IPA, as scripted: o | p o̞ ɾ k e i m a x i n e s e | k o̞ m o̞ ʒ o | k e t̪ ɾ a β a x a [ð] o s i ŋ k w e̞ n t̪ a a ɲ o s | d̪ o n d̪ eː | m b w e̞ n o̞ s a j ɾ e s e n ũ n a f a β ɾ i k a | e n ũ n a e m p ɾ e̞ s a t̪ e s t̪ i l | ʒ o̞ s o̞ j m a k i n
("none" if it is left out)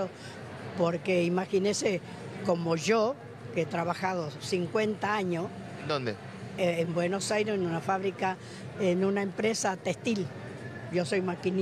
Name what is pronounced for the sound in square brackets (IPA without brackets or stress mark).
ð